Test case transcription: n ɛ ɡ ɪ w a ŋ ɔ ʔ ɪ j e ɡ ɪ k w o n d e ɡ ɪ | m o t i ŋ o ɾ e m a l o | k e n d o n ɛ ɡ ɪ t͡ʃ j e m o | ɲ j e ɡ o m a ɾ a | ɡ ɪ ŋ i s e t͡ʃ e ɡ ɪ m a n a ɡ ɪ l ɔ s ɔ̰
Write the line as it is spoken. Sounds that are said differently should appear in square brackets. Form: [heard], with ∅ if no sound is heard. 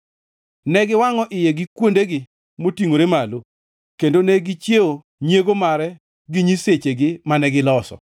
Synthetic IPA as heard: n ɛ ɡ ɪ w a ŋ ɔ ʔ ɪ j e ɡ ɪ k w o n d e ɡ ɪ | m o t i ŋ o ɾ e m a l o | k e n d o n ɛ ɡ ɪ t͡ʃ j e [∅] o | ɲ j e ɡ o m a ɾ [ɛ] | ɡ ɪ [ɲ] i s e t͡ʃ e ɡ ɪ m a n [ɛ] ɡ ɪ l ɔ s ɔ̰